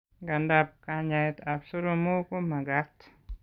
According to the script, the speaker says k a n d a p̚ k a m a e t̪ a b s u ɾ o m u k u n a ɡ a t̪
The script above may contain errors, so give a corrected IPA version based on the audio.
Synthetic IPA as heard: ɡ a n d a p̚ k a ɲ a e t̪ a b s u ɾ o m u k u m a ɡ a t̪